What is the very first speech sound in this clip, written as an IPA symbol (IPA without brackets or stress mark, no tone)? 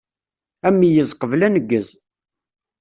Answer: æ